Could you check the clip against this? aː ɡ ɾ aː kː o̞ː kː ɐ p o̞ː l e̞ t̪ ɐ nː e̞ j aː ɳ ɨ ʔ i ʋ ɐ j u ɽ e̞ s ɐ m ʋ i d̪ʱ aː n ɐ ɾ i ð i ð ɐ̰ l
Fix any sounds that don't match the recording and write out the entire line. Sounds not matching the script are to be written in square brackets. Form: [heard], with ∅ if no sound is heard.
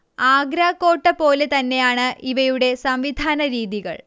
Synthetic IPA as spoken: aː ɡ ɾ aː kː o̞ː [ʈː] ɐ p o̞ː l e̞ t̪ ɐ nː e̞ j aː ɳ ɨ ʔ i ʋ ɐ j u ɽ e̞ s ɐ m ʋ i d̪ʱ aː n ɐ ɾ [iː] ð i [ɣ] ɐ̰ [ɭ]